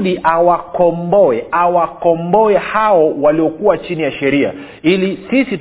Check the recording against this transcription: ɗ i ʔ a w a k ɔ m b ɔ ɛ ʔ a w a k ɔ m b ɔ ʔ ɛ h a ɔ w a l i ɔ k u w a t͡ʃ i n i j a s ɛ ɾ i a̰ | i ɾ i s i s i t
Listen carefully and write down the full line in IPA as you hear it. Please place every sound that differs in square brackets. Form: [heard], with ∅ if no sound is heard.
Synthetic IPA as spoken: ɗ i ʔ a w a k ɔ m b ɔ ɛ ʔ a w a k ɔ m b ɔ [∅] ɛ h a ɔ w a l i ɔ k u w a t͡ʃ i n i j a [ʃ] ɛ ɾ i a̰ | i [l] i s i s i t